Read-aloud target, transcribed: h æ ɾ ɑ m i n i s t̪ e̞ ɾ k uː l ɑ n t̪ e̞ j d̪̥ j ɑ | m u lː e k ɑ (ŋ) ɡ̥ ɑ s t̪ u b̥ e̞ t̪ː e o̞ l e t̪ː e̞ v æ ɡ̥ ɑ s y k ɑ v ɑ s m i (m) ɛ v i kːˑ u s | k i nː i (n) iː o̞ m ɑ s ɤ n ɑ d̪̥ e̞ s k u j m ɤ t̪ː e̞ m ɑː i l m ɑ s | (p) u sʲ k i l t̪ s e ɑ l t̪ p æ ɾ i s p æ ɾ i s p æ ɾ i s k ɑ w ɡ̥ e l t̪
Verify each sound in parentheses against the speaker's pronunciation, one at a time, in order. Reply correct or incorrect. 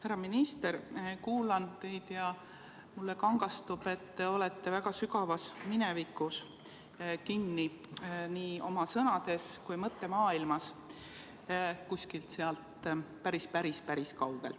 correct, incorrect, correct, incorrect

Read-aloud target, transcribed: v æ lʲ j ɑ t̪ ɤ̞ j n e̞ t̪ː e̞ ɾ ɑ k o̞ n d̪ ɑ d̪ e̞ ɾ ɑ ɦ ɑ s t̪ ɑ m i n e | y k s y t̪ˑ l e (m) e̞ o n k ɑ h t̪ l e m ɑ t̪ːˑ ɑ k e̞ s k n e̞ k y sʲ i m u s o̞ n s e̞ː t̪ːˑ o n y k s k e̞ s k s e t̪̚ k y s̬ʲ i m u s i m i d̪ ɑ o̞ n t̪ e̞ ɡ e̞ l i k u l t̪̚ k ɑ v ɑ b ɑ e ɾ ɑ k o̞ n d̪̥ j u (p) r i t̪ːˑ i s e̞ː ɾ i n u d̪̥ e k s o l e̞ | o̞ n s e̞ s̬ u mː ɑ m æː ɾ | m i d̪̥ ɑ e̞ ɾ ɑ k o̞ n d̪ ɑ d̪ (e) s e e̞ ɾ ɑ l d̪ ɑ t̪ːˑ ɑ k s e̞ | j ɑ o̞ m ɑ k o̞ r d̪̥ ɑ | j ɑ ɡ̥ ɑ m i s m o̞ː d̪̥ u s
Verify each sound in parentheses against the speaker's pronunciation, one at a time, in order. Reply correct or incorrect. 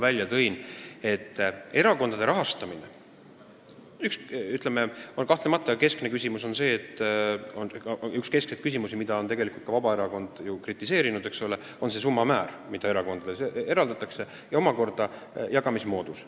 correct, incorrect, correct

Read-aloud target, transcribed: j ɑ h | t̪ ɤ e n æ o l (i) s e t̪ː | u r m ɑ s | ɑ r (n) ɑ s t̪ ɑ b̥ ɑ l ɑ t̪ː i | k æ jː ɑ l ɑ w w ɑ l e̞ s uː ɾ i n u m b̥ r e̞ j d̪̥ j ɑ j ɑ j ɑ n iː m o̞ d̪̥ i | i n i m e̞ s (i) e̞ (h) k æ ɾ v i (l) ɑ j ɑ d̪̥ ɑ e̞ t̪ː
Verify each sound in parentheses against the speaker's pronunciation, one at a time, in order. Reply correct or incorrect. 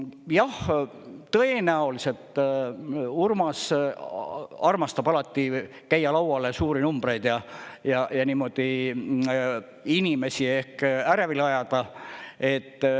correct, incorrect, correct, correct, correct

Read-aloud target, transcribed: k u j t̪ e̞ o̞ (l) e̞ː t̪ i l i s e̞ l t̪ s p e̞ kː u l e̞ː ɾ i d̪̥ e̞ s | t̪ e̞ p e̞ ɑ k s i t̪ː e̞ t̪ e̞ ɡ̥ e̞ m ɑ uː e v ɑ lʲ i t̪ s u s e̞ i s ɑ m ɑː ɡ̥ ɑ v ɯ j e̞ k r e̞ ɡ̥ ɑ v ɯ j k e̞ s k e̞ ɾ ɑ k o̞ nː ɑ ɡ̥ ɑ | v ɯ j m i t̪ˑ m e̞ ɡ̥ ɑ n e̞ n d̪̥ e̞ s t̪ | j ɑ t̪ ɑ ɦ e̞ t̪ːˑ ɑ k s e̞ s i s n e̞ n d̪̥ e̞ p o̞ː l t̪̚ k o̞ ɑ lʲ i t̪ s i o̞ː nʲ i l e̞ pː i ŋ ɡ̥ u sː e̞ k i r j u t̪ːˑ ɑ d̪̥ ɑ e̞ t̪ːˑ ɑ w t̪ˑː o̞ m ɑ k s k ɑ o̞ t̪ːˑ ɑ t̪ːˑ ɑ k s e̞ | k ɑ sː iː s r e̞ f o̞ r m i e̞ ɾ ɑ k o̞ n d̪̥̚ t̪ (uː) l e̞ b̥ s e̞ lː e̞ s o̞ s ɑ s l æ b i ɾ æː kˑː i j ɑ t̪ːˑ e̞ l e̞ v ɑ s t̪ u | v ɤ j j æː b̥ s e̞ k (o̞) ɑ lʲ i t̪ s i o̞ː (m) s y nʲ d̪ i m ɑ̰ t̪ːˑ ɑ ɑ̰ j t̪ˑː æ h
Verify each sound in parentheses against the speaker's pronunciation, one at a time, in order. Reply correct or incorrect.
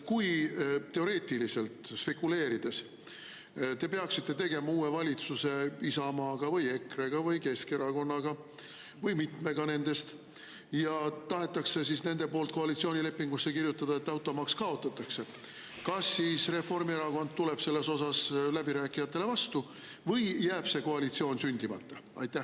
incorrect, incorrect, correct, incorrect

